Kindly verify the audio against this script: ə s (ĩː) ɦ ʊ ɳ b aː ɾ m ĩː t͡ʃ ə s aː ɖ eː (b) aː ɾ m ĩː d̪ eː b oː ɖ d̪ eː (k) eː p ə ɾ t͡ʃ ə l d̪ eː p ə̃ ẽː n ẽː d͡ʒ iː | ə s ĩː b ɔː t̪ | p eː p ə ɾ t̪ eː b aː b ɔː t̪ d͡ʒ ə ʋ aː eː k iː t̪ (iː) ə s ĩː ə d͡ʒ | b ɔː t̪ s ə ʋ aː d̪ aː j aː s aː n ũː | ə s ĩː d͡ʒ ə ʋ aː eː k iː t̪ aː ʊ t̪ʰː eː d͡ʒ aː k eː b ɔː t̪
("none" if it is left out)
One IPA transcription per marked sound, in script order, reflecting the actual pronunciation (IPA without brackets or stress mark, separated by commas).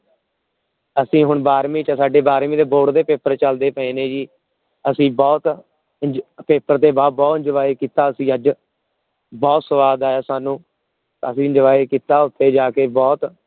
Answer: ĩː, b, p, aː